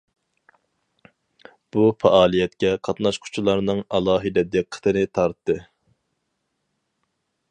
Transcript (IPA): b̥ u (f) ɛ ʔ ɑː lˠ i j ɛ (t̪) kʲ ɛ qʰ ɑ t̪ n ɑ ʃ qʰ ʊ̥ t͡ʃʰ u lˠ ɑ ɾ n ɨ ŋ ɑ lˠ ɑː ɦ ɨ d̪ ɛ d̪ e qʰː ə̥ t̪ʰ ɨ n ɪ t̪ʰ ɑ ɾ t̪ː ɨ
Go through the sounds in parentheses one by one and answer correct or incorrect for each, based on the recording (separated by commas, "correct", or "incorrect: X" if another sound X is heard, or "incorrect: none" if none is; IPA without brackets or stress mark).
correct, correct